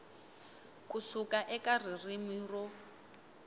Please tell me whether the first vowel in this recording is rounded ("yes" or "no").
yes